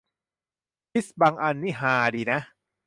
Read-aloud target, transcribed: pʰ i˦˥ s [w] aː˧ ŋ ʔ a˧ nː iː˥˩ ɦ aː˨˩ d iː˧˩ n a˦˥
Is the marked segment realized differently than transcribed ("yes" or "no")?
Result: yes